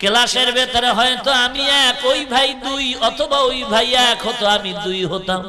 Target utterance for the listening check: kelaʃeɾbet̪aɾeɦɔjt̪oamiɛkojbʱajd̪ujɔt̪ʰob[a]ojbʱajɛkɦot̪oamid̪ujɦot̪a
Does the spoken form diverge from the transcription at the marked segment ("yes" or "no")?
no